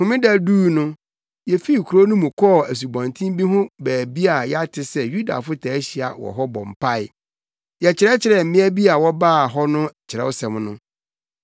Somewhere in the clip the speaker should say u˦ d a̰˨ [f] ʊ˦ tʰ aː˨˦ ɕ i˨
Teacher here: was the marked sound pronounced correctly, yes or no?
yes